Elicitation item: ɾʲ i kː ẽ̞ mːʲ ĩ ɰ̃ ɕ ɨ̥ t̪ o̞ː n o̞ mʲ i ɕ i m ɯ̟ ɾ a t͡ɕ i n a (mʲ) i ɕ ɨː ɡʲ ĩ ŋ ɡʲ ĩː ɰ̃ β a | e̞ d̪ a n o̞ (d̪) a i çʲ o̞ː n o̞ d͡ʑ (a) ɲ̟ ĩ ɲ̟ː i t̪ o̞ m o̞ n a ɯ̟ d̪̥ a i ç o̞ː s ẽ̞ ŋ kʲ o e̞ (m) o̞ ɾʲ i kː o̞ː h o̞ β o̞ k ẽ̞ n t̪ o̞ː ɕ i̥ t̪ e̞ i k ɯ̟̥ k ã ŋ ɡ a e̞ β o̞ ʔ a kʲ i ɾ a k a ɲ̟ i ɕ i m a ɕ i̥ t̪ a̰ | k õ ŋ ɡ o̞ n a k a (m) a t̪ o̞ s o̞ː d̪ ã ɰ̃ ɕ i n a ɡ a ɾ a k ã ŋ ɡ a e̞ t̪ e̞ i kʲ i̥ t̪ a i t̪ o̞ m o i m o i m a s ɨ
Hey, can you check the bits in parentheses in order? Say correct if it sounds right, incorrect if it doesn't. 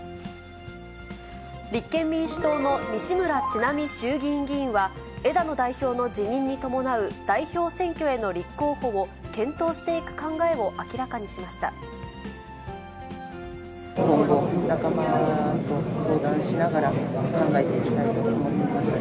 correct, correct, incorrect: i, incorrect: n, correct

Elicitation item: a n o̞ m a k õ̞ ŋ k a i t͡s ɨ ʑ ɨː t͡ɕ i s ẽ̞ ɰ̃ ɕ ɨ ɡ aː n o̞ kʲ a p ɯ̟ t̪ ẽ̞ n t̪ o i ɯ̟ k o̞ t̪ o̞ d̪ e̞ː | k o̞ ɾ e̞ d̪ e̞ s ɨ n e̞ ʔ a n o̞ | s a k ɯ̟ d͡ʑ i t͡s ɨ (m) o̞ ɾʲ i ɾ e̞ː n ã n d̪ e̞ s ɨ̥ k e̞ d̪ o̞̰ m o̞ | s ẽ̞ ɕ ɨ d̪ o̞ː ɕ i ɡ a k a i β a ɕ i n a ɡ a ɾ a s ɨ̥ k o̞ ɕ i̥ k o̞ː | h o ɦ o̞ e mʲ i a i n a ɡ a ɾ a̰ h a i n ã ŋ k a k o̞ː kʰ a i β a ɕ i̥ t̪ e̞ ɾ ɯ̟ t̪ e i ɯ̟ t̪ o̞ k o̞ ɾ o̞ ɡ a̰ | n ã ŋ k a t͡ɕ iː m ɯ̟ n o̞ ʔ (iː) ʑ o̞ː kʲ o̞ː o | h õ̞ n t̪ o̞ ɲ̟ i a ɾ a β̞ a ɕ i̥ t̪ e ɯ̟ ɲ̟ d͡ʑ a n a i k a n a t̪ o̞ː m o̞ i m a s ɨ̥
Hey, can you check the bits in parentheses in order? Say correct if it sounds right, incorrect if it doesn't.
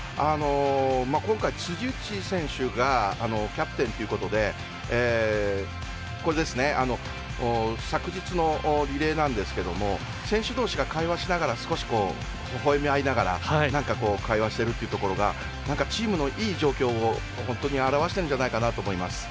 incorrect: n, correct

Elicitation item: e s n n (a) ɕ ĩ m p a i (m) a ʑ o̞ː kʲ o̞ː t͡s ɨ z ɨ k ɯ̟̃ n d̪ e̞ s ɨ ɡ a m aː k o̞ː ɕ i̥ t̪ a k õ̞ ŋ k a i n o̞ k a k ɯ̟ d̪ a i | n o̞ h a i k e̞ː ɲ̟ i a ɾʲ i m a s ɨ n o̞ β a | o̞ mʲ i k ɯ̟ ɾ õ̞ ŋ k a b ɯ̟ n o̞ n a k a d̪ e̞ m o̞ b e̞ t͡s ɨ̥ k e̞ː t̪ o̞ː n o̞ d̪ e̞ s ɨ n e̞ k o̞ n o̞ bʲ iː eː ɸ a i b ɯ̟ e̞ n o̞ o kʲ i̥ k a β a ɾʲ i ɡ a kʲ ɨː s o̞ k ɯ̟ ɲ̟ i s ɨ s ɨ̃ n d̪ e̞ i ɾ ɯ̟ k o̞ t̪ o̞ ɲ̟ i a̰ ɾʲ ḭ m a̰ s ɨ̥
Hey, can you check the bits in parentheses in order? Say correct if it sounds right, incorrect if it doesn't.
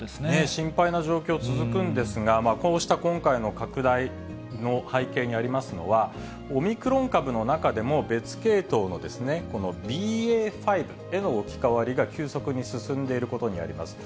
incorrect: e, incorrect: n

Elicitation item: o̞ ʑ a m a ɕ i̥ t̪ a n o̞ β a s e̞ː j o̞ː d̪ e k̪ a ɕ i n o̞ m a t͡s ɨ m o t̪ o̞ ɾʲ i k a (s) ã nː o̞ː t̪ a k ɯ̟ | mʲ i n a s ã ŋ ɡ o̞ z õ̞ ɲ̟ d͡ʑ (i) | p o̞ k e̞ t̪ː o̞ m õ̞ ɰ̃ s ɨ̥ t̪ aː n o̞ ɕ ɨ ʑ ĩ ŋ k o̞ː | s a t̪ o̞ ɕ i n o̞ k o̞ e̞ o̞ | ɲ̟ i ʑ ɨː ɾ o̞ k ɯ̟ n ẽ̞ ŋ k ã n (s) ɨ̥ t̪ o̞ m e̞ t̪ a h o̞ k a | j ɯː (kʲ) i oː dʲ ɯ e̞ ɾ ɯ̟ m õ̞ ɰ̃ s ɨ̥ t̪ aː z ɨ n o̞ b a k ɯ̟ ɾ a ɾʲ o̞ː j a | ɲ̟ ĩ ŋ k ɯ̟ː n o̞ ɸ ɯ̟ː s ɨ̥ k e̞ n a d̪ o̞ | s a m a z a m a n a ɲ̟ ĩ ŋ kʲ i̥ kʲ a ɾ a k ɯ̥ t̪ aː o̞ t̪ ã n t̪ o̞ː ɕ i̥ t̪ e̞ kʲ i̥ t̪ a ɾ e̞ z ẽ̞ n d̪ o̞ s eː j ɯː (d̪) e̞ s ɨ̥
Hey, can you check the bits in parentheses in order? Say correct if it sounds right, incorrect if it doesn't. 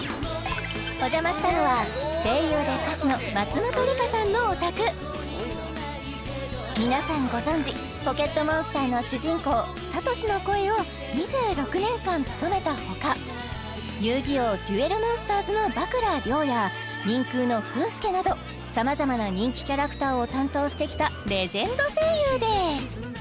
correct, correct, incorrect: t͡s, incorrect: ɡʲ, correct

